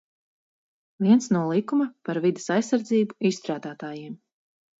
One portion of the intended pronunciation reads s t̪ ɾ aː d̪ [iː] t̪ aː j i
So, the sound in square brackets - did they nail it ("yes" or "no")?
no